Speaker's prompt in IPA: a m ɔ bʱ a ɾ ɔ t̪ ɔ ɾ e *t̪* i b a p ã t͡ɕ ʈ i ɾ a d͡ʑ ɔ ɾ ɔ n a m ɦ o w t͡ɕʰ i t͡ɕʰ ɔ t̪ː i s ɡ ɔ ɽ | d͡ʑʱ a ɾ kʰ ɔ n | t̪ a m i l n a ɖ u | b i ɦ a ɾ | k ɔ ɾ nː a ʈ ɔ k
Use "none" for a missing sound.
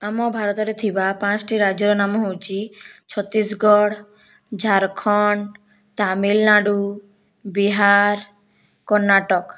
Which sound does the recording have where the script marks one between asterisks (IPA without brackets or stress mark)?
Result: t̪ʰ